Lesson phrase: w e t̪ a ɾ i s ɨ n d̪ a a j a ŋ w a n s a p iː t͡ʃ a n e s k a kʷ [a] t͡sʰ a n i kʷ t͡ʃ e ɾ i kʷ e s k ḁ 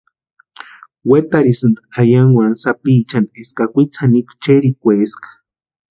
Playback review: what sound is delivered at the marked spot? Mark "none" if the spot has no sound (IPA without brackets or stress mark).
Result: i